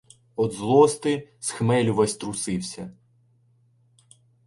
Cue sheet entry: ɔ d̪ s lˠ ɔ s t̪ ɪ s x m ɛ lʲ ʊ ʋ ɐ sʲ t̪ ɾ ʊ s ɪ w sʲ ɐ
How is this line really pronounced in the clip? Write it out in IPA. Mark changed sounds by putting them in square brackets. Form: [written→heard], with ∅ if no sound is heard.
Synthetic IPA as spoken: ɔ d̪ [s→z] lˠ ɔ s t̪ ɪ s x m ɛ lʲ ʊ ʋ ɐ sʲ t̪ ɾ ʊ s ɪ w sʲ ɐ